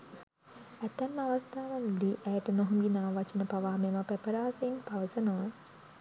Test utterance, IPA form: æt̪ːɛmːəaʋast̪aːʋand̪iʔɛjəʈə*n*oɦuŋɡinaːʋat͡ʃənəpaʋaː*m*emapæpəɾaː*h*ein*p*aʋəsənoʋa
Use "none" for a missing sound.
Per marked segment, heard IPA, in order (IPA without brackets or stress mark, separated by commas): n, m, s, p